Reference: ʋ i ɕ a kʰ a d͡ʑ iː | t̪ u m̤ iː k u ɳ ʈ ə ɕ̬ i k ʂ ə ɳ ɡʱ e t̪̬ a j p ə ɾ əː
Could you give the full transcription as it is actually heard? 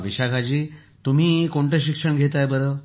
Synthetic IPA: ʋ i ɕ a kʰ a d͡ʑ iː | t̪ u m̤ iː k o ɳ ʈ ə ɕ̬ i k ʂ ə ɳ ɡʱ e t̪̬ a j b ə ɾ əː